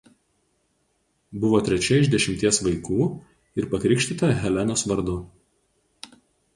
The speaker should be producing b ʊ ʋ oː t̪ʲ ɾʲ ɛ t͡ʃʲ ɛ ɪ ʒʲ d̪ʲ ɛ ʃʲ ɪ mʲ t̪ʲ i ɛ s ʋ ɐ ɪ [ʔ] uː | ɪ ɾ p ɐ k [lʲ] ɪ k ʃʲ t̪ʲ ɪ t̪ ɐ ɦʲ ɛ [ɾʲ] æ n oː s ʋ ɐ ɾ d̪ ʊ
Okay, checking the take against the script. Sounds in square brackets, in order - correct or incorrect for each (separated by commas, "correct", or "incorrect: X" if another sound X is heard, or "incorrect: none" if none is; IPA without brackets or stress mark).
incorrect: k, incorrect: ɾʲ, incorrect: lʲ